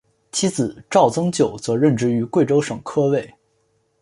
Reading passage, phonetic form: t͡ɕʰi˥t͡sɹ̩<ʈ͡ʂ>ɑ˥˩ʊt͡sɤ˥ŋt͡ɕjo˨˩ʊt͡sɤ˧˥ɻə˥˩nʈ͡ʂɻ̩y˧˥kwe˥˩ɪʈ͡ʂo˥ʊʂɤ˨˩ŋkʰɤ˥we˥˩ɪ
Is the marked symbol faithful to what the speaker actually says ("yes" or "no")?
yes